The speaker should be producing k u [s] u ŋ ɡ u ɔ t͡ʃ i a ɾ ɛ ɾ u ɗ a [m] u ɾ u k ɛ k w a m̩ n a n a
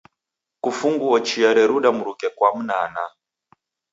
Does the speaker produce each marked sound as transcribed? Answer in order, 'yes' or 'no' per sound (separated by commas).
no, yes